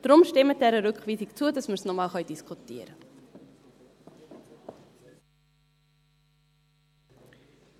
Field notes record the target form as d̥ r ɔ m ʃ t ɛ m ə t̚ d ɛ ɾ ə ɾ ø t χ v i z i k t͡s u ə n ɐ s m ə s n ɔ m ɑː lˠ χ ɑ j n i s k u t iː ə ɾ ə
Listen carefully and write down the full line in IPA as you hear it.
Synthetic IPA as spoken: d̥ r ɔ m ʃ t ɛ m ə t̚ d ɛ ɾ ə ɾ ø k χ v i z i k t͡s u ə d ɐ s m ə s n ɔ m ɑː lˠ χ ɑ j d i s k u t i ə ɾ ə